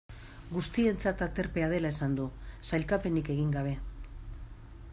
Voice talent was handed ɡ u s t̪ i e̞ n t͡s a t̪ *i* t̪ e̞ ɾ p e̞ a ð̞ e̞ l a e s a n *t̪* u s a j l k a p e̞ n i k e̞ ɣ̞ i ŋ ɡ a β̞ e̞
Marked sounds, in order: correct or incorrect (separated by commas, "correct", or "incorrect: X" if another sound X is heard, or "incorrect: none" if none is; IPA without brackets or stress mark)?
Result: incorrect: a, incorrect: d̪